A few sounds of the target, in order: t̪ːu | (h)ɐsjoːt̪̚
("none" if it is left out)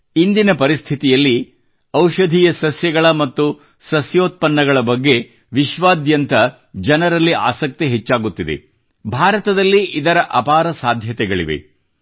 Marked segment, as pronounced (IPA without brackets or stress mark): s